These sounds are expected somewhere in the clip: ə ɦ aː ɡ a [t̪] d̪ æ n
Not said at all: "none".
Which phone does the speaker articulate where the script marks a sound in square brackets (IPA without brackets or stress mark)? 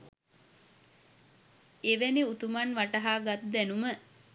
t̪